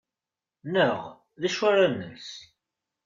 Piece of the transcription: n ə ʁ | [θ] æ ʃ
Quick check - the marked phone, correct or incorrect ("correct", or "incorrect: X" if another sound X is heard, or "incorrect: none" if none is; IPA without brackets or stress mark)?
incorrect: ð